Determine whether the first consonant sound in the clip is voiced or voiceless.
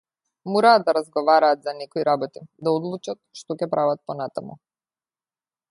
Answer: voiced